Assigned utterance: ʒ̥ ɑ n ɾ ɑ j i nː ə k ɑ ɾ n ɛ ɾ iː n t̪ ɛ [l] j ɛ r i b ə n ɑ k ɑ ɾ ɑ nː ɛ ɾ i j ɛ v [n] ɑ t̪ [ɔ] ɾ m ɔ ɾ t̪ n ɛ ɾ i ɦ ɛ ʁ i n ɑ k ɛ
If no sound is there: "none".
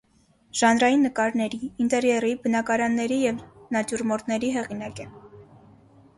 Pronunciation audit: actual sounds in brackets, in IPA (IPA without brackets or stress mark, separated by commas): ɾ, n, u